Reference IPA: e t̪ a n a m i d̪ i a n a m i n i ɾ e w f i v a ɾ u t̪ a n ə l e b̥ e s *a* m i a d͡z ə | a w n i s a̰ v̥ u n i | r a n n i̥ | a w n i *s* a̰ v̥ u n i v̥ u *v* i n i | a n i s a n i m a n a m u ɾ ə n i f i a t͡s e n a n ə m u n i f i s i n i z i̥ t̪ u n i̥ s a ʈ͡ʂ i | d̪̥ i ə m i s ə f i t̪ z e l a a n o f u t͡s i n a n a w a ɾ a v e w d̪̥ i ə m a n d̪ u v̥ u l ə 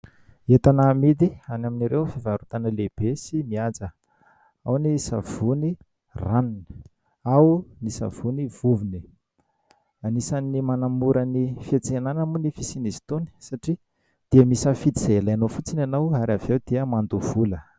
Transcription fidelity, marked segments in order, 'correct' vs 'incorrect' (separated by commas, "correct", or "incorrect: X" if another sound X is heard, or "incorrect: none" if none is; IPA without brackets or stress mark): incorrect: i, correct, correct